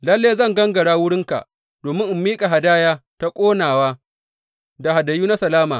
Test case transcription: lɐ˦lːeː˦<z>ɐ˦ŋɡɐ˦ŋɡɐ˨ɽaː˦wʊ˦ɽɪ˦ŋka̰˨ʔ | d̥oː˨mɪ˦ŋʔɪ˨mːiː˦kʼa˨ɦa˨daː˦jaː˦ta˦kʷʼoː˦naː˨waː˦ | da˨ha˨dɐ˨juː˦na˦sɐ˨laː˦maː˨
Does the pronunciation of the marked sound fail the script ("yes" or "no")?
no